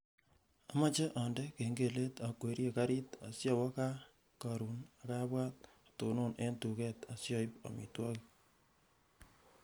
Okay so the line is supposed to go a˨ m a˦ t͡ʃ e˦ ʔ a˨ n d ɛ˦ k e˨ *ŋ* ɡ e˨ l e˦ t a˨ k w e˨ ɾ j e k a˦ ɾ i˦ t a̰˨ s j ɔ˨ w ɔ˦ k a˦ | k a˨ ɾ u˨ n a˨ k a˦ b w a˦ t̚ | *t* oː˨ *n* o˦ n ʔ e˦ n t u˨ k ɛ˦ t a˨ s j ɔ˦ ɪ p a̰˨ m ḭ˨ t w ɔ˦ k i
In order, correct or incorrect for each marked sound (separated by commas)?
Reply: correct, correct, correct